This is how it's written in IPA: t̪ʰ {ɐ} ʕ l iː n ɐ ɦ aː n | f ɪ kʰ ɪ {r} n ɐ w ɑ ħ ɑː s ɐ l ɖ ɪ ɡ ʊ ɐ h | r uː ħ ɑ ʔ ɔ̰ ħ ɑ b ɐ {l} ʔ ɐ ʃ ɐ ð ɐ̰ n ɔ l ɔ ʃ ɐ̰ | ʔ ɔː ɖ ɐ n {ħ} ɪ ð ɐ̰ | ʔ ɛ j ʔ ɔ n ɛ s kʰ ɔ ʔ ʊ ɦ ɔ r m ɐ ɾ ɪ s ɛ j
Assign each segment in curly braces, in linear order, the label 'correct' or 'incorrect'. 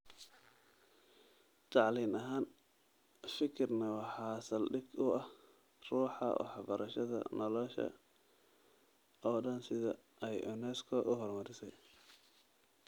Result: incorrect: ɑ, correct, incorrect: ɾ, incorrect: s

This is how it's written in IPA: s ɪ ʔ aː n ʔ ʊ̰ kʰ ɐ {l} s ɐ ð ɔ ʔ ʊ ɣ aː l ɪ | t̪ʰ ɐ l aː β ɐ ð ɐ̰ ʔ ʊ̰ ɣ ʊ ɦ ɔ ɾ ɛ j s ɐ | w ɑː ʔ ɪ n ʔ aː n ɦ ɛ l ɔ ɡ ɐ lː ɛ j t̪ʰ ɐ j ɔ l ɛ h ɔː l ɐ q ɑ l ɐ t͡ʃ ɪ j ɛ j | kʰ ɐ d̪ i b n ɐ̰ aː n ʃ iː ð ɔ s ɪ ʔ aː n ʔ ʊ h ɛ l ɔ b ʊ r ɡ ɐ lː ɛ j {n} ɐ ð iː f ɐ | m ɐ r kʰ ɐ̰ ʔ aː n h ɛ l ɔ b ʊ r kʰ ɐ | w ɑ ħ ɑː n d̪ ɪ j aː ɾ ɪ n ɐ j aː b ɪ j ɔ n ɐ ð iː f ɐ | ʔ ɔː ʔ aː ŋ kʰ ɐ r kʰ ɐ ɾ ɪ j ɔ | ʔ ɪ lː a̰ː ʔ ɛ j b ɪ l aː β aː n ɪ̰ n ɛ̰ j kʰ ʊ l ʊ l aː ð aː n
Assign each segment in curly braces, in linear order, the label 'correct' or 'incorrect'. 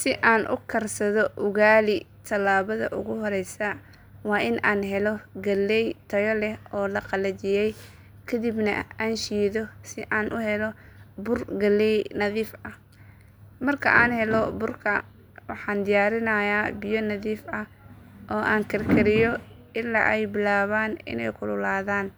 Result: incorrect: r, correct

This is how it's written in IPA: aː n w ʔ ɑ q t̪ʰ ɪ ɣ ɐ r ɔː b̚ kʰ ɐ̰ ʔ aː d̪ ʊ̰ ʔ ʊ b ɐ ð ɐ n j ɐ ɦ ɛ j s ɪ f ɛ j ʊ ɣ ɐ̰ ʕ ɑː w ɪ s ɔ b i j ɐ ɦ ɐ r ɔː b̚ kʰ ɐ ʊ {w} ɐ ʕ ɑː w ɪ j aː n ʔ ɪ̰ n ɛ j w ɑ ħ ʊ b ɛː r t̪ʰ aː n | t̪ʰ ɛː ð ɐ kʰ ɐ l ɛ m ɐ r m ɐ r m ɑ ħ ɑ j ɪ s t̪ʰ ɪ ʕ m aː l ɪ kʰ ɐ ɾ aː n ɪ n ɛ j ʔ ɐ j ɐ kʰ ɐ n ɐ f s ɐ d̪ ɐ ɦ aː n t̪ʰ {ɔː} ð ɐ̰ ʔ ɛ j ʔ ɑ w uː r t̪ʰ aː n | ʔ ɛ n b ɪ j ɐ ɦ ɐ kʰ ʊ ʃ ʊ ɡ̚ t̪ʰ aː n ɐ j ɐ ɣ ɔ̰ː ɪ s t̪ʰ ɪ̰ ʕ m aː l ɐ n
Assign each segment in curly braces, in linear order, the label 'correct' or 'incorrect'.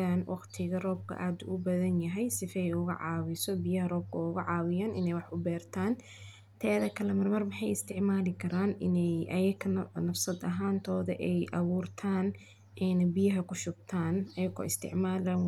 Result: incorrect: ɣ, correct

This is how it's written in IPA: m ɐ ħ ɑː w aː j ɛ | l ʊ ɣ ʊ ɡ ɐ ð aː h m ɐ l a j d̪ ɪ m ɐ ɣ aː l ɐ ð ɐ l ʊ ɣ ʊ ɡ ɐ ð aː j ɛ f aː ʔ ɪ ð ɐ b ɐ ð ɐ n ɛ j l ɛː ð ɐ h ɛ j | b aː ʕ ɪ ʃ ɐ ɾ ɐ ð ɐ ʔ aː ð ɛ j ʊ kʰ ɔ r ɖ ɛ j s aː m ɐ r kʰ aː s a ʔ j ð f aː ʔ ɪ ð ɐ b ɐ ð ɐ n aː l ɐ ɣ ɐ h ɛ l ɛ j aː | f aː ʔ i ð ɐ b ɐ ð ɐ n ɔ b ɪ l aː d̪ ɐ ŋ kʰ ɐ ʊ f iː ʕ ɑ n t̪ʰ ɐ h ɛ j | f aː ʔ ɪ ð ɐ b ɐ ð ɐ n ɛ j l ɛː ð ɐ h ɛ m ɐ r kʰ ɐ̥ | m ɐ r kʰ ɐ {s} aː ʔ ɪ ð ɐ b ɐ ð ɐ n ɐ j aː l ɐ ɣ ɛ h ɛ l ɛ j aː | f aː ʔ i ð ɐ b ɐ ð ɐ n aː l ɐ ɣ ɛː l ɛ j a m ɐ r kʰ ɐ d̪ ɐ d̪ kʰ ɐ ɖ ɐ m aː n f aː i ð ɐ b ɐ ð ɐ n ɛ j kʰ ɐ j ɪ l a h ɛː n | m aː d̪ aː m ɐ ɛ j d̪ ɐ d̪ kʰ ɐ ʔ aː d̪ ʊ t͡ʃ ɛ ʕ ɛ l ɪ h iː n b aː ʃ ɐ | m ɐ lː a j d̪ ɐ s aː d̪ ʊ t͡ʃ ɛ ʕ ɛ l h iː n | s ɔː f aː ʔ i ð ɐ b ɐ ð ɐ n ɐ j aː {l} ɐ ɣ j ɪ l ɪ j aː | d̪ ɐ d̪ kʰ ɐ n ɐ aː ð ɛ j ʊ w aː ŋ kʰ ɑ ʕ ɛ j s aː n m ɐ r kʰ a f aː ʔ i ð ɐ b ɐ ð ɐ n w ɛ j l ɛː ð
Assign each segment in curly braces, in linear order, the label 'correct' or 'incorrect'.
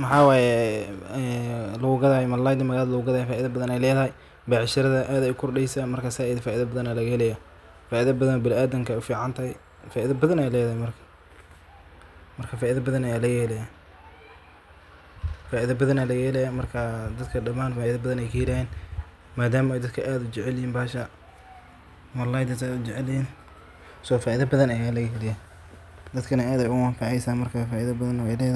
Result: incorrect: f, correct

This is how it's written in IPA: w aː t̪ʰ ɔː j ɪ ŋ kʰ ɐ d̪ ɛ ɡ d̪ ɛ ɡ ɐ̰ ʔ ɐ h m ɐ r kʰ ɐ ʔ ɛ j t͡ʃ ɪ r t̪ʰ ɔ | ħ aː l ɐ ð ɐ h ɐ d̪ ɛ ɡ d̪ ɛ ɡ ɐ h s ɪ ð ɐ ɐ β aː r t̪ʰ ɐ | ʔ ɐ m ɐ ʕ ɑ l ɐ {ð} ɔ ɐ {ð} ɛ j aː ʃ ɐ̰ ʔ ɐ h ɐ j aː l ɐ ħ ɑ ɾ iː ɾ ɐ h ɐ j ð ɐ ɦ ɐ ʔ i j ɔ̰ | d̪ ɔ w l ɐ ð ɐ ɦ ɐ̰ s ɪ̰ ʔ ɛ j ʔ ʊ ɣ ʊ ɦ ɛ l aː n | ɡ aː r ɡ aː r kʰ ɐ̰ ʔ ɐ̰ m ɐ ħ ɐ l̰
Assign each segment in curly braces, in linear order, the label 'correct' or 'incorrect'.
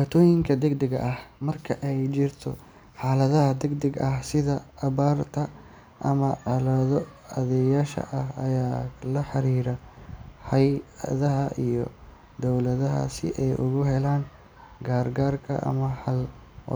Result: correct, correct

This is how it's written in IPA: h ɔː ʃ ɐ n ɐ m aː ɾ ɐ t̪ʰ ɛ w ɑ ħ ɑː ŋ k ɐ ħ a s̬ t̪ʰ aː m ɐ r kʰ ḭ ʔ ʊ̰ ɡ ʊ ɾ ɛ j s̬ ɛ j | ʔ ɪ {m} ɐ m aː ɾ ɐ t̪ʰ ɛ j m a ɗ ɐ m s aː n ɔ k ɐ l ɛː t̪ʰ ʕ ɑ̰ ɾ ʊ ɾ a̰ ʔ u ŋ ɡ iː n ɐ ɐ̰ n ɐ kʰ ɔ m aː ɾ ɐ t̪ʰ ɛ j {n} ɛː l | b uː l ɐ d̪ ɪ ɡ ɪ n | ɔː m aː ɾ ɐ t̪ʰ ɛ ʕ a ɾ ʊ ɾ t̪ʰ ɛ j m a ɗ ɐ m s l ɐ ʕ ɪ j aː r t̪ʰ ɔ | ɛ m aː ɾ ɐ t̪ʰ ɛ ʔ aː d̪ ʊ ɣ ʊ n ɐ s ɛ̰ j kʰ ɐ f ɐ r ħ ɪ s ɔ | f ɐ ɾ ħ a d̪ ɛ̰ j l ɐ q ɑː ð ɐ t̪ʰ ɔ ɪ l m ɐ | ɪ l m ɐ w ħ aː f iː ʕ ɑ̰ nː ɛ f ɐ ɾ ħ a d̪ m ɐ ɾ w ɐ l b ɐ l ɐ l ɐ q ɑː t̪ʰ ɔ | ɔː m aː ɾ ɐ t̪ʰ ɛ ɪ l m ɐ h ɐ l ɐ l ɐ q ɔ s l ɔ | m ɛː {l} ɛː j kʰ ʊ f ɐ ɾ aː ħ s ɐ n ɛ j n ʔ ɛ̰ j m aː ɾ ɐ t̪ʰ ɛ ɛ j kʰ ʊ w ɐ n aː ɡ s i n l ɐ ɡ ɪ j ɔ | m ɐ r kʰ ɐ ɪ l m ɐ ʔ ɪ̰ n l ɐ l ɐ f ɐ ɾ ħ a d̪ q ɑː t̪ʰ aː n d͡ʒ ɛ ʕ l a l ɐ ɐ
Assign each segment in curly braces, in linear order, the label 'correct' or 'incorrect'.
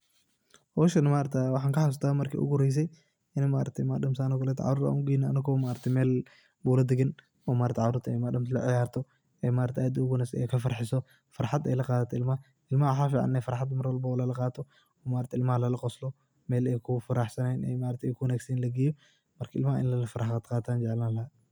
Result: incorrect: n, incorrect: m, correct

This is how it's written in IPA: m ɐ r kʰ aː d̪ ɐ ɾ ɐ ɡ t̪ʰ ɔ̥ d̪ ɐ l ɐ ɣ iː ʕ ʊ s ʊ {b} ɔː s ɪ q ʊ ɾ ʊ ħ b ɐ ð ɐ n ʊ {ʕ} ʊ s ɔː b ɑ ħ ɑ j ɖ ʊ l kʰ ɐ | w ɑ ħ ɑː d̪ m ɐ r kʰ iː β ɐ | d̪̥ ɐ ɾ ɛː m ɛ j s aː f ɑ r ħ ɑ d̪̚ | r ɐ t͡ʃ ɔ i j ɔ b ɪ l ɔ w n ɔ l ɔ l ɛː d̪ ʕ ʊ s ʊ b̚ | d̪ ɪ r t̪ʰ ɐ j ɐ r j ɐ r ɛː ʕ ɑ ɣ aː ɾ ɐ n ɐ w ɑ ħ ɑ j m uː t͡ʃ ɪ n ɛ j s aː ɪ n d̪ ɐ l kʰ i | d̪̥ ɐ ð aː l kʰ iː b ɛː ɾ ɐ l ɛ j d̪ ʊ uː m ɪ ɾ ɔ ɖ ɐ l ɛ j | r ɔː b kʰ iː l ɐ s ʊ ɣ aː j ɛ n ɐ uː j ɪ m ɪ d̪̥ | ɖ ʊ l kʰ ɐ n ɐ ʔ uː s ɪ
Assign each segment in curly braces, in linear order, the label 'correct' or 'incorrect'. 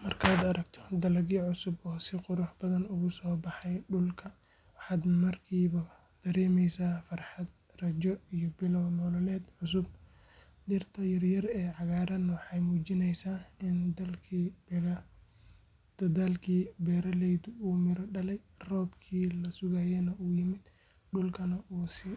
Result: correct, incorrect: ɣ

